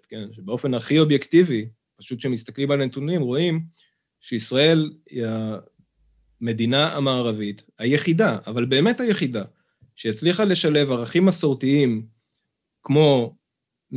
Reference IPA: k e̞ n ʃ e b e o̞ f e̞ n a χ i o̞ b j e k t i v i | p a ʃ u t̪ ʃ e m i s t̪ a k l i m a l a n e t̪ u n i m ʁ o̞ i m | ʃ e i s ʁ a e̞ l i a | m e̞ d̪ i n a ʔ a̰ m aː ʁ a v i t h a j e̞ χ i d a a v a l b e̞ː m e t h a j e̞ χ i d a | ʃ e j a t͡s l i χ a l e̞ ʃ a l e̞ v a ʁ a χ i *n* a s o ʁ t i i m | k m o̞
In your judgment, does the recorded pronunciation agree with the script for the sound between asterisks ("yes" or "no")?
no